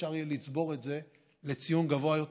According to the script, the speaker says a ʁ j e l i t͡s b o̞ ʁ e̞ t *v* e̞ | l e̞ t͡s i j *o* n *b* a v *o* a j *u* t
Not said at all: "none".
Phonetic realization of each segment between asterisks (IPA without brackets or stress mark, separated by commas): z, u, ɡ, o, o